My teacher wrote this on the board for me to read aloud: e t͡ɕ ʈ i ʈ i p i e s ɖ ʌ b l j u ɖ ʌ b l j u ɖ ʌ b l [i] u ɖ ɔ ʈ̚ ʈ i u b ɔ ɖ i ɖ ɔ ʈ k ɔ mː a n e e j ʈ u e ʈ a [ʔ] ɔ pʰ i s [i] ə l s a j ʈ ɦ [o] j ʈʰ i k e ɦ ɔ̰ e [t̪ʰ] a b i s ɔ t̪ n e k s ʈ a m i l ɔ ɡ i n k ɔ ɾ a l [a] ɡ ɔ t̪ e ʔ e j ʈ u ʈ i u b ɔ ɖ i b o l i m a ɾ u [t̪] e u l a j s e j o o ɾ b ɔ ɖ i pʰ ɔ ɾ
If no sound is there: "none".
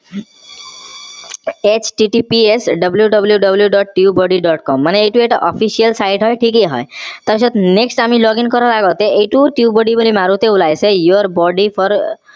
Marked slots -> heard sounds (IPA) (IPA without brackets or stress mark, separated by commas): j, ʔ, i, ɔ, t̪, a, t̪